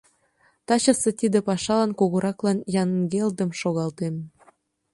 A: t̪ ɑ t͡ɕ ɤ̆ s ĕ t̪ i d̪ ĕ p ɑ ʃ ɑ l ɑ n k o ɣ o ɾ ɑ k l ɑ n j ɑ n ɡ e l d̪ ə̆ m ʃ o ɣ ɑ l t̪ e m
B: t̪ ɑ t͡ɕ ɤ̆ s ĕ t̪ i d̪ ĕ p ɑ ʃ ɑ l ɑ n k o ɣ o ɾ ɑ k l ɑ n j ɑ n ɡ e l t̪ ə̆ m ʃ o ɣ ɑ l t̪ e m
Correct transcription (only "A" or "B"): A